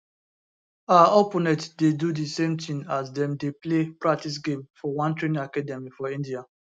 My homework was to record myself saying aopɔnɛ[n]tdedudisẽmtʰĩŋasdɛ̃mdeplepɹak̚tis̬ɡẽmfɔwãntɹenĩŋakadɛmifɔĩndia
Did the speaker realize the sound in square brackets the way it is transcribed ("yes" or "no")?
no